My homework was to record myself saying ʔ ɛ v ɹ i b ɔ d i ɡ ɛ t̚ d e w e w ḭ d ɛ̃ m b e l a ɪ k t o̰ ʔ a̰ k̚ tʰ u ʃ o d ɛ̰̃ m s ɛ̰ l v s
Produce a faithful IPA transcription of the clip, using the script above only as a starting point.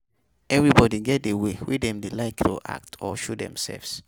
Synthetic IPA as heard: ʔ ɛ v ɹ i b ɔ d i ɡ ɛ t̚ d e w e w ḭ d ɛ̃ m d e l a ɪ k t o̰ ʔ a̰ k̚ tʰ ɔ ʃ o d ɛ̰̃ m s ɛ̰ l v s